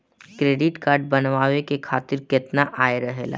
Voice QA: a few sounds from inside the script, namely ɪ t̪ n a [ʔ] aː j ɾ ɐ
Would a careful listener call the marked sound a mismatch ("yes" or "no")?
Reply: no